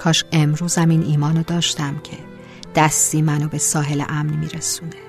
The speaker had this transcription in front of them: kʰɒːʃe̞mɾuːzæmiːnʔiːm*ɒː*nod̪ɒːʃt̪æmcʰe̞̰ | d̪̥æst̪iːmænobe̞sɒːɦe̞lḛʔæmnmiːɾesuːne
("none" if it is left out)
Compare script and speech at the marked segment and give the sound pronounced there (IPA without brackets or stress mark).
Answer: ɒː